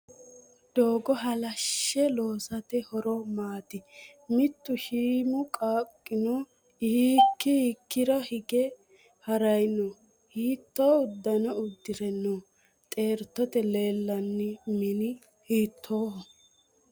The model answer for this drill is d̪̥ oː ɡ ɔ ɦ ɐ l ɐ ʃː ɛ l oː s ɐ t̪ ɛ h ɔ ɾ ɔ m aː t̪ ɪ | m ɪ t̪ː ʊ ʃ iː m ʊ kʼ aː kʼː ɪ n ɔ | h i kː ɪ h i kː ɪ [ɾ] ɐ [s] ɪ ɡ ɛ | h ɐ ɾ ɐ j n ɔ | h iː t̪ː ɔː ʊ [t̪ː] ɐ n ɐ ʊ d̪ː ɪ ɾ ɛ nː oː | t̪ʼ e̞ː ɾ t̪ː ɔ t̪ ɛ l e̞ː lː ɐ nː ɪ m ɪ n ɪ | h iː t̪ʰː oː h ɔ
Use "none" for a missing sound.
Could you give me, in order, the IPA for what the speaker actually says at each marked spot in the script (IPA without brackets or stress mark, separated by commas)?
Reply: ɾ, h, d̪ː